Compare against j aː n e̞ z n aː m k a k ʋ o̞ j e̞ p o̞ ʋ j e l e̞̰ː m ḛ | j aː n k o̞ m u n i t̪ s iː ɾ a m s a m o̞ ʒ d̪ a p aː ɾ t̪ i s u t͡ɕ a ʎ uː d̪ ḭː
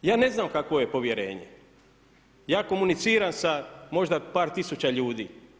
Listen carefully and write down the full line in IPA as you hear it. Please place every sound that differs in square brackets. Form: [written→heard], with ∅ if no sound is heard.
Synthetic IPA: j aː n e̞ z n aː m k a k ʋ o̞ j e̞ p o̞ ʋ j e [l→ɾ] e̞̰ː [m→ɲ] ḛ | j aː [n→∅] k o̞ m u n i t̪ s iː ɾ a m s a m o̞ ʒ d̪ a p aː ɾ t̪ i s u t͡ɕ a ʎ uː d̪ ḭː